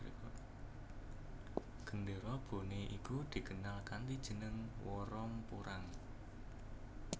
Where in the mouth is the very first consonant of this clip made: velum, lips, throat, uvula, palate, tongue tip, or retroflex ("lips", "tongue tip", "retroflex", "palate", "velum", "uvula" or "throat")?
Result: velum